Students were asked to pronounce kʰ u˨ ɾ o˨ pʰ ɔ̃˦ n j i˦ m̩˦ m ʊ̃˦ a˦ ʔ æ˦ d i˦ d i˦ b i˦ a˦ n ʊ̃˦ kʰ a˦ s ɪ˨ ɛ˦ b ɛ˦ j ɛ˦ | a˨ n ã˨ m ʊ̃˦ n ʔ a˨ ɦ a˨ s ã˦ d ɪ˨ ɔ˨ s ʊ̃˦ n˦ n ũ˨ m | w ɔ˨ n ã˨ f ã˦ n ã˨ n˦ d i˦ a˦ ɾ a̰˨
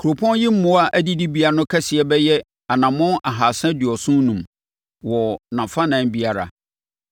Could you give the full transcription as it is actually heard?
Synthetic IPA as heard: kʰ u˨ ɾ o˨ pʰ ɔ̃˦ n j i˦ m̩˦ m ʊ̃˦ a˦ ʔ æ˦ d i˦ d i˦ b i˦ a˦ n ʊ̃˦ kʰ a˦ s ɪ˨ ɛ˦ b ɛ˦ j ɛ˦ | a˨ n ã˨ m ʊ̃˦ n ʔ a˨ ɦ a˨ s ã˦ d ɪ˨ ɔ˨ s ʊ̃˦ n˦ n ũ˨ m | w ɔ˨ n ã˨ f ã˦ n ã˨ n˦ b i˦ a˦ ɾ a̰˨